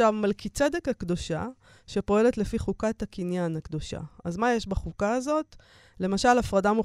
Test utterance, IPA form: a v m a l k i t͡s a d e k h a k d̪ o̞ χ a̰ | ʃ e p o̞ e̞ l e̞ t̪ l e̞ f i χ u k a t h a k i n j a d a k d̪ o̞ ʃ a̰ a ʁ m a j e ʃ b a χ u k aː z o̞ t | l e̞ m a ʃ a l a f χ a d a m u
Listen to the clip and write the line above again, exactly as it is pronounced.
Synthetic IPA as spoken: a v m a l k i t͡s e d e k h a k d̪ o̞ ʃ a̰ | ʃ e p o̞ e̞ l e̞ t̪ l e̞ f i χ u k a t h a k i n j a n a k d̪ o̞ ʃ a̰ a z m a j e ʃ b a χ u k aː z o̞ t | l e̞ m a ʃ a l a f ʁ a d a m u